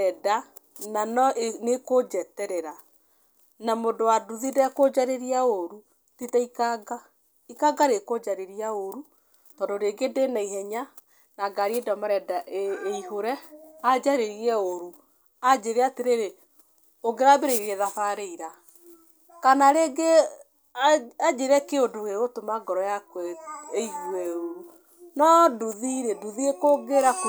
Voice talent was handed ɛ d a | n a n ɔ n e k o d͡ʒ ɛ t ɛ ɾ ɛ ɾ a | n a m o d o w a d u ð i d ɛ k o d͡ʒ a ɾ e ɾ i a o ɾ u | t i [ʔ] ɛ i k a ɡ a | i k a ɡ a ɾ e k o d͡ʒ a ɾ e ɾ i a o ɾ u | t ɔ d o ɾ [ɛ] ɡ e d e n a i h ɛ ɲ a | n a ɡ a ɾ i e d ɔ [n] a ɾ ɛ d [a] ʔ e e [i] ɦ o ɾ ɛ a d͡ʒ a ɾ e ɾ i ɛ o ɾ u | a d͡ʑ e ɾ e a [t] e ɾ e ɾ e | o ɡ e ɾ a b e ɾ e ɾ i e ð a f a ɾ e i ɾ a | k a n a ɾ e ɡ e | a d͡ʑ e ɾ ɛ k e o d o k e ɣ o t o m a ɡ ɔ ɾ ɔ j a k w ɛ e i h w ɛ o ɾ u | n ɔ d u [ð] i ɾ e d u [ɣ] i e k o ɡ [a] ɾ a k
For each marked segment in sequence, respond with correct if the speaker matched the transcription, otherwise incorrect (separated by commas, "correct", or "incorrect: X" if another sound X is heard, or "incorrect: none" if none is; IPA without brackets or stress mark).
incorrect: t, incorrect: e, incorrect: m, correct, correct, correct, correct, incorrect: ð, incorrect: e